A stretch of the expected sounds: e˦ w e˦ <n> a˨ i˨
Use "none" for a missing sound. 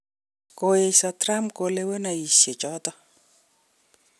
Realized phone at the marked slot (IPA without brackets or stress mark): n